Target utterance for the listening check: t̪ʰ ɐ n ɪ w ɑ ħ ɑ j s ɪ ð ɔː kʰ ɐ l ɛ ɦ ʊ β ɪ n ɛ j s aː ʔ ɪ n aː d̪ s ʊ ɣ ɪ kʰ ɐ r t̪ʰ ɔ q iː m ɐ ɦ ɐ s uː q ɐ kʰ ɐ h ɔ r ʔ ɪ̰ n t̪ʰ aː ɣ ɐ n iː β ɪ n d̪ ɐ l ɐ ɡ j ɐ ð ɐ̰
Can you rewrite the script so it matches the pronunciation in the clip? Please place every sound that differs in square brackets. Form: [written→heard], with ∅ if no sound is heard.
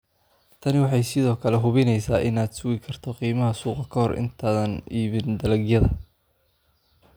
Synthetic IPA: t̪ʰ ɐ n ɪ w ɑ ħ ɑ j s ɪ ð ɔː kʰ ɐ l ɛ ɦ ʊ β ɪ n ɛ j s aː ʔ ɪ n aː d̪ s ʊ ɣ ɪ kʰ ɐ r t̪ʰ ɔ q iː m ɐ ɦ ɐ s uː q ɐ kʰ ɐ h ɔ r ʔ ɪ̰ n t̪ʰ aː [ɣ→ð] ɐ n iː β ɪ n d̪ ɐ l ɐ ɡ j ɐ ð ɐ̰